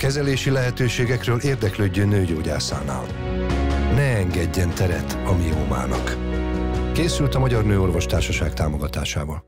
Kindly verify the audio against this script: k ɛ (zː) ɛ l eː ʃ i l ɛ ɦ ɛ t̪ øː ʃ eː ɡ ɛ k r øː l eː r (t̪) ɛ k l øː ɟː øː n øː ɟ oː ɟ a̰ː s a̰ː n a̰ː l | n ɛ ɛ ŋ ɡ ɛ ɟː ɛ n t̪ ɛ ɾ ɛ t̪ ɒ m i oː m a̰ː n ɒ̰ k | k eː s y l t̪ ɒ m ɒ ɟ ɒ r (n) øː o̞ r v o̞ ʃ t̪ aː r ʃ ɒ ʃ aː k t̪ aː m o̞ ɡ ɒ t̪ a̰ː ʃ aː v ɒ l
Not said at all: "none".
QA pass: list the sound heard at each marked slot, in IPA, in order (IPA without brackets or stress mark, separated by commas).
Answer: z, d̪, n